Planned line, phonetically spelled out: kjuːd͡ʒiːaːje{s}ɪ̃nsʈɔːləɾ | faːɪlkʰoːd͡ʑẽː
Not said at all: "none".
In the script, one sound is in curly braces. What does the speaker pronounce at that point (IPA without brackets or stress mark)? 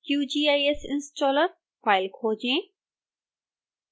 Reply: s